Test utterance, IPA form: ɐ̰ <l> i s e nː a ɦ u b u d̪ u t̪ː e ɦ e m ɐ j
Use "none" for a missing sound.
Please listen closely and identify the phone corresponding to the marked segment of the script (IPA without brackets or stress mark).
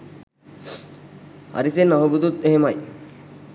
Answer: ɾ